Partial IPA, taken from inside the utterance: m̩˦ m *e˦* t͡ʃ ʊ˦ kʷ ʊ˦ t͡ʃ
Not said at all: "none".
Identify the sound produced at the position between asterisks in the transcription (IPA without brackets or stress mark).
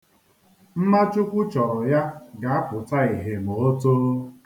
a˦